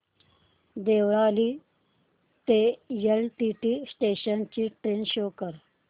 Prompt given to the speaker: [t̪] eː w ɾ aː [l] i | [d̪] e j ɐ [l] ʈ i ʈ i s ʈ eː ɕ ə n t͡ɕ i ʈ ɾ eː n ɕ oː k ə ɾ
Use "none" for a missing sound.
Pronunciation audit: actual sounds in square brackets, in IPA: d̪, l, t̪, l

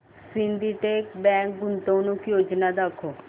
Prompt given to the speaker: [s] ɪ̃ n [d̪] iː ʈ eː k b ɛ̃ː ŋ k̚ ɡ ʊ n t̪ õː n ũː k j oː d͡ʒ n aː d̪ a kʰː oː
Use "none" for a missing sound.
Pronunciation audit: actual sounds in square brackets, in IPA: s, d̪

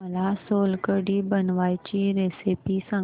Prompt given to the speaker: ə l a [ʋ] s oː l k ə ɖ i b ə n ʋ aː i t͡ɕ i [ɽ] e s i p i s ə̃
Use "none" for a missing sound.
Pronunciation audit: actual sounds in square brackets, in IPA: none, ɾ

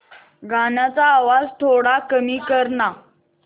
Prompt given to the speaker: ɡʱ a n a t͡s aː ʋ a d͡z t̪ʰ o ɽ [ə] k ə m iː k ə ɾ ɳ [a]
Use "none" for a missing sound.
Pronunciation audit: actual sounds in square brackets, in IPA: a, a

